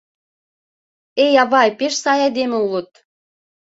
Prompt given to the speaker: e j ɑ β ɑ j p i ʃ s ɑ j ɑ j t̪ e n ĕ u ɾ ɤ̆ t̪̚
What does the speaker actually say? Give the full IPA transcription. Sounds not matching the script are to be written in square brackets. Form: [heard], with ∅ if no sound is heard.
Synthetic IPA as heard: e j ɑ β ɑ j p [e] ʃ s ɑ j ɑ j [d̪] e [m] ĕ u [l] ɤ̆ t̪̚